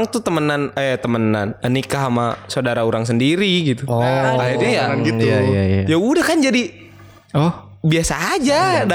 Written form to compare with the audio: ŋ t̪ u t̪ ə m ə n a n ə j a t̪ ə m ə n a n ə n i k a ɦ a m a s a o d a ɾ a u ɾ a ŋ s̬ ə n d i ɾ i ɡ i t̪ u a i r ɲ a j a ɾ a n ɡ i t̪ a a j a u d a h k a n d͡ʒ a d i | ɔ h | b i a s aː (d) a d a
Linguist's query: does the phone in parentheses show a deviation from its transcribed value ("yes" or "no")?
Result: yes